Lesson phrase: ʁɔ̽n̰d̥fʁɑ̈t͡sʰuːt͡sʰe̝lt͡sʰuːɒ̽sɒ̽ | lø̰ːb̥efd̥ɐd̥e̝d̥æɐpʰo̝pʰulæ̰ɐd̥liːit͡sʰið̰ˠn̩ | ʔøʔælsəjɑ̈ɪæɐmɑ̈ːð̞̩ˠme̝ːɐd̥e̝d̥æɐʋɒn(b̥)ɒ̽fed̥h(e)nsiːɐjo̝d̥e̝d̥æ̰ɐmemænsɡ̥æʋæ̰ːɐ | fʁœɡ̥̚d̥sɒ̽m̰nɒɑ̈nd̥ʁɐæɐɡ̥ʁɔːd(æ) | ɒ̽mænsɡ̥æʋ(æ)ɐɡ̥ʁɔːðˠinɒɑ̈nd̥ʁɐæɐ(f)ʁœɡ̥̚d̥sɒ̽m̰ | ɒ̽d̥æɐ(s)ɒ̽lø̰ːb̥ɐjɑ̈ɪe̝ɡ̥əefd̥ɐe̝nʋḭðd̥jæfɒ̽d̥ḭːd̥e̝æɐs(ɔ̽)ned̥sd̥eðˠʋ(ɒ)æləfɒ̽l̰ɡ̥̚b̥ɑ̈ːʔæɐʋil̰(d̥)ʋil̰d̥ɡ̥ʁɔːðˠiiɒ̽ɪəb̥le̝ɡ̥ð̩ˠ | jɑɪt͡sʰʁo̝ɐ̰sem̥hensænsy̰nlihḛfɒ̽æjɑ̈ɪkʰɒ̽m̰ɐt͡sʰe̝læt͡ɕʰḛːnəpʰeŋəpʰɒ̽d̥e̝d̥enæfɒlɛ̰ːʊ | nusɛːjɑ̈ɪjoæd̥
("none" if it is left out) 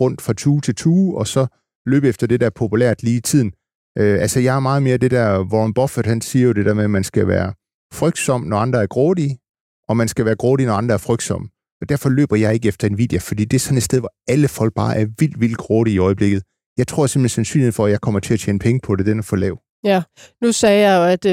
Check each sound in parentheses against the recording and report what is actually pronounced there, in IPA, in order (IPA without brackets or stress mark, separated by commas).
b̥, æ, i, æː, f, f, ɒ̽, ɒ, d̥